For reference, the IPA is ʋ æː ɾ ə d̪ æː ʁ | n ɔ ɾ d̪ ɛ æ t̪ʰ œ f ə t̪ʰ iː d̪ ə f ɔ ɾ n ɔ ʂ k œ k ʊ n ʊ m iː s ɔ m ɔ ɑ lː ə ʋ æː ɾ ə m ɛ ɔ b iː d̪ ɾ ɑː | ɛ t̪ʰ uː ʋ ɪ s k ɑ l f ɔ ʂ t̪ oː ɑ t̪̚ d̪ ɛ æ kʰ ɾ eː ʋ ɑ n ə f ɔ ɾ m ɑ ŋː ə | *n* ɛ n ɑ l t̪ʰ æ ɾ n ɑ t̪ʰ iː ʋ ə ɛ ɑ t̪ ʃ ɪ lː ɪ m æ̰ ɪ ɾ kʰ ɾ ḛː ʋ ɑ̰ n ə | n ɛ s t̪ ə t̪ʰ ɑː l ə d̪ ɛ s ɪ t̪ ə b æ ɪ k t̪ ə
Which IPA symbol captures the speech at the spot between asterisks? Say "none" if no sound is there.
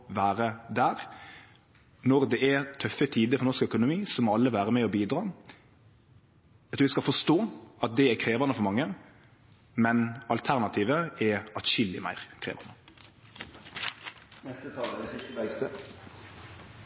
m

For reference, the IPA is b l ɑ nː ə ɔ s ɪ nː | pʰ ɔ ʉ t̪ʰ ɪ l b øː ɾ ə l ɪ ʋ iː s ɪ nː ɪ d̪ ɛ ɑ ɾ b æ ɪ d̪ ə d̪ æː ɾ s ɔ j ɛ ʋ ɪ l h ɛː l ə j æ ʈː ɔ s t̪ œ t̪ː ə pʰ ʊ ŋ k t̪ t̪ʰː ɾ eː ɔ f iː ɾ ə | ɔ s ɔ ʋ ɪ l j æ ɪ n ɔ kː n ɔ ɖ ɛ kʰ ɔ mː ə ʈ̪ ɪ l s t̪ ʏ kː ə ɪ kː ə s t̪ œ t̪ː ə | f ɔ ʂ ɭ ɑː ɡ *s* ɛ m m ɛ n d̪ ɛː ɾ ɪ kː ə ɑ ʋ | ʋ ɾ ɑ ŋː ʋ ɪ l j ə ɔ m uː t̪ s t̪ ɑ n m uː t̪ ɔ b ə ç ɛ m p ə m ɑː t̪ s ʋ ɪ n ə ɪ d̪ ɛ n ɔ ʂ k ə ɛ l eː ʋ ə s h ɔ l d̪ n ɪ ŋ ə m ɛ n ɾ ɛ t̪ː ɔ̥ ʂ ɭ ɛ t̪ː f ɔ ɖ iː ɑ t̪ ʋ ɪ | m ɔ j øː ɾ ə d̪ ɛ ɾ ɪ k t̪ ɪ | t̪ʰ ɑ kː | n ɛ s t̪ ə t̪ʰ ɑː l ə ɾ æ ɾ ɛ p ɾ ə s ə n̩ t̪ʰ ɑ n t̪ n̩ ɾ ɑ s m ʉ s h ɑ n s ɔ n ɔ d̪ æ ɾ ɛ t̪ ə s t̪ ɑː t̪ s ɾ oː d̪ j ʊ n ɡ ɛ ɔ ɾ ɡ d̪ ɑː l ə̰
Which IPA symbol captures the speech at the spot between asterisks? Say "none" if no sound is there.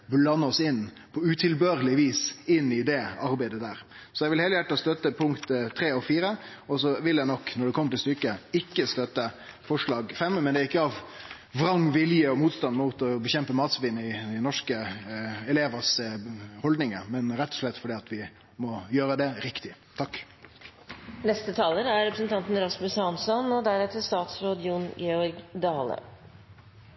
f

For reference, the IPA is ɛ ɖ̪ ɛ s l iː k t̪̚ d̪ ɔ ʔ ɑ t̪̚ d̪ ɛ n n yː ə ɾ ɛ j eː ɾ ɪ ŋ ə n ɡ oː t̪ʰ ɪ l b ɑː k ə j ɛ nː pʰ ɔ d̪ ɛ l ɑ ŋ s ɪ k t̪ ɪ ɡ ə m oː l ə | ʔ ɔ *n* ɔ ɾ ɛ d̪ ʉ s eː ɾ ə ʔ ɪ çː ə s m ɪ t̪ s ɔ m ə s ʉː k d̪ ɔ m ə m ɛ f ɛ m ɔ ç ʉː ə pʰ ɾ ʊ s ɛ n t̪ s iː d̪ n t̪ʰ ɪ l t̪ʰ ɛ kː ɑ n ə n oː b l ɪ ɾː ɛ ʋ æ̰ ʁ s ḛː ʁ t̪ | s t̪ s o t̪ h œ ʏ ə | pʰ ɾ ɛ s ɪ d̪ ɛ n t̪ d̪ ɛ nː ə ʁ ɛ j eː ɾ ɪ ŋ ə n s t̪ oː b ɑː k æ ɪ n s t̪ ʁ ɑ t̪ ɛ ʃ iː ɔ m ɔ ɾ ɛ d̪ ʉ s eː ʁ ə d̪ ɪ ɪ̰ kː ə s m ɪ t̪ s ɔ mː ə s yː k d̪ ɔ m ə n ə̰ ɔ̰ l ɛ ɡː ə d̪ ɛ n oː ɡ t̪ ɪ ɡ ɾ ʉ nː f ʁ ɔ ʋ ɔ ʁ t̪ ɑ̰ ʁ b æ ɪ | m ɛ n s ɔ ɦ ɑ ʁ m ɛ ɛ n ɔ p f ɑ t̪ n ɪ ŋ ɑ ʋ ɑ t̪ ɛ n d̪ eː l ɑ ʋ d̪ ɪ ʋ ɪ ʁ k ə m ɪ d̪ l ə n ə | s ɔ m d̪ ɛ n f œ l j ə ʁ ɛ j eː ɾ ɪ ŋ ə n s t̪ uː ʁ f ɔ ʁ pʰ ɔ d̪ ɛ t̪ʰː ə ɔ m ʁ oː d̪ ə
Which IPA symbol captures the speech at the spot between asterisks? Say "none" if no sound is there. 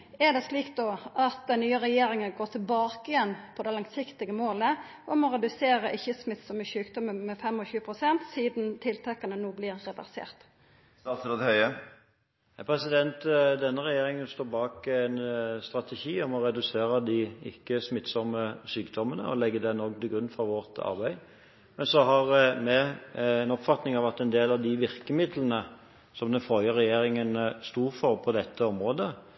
m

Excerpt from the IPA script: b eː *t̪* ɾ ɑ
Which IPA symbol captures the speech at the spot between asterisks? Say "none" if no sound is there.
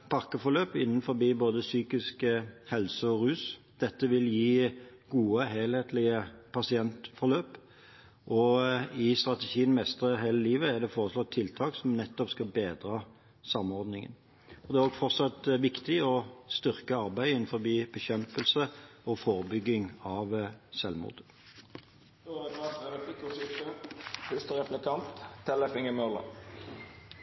d̪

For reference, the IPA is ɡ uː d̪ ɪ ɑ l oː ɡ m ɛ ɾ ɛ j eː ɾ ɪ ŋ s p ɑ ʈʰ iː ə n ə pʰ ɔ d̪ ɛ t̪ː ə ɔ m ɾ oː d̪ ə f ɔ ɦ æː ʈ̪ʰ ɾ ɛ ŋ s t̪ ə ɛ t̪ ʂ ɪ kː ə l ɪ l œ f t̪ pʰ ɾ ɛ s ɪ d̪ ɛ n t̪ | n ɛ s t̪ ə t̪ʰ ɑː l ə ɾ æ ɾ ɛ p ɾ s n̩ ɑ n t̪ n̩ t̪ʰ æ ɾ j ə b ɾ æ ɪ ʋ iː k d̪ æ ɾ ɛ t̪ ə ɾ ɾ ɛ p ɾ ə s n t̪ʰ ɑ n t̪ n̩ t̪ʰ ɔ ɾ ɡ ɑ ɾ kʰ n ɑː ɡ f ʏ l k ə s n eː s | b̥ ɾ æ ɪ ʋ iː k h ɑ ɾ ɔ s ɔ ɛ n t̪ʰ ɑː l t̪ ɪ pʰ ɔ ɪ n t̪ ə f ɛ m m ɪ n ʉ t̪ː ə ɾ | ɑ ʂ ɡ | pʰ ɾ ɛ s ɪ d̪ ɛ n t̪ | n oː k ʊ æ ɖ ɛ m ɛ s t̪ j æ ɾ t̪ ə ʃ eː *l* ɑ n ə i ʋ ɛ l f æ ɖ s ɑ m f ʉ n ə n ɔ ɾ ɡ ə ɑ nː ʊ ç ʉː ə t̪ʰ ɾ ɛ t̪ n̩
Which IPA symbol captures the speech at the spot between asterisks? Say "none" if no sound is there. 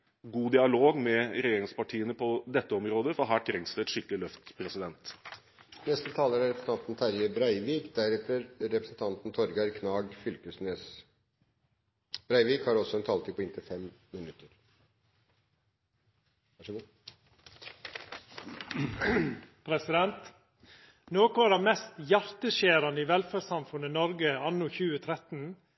ɾ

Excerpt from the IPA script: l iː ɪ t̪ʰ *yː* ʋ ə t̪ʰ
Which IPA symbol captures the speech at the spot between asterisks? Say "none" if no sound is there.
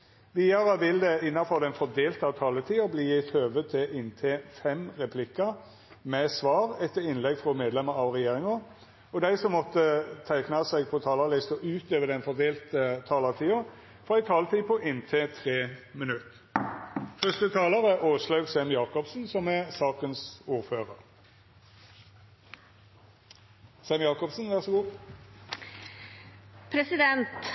øː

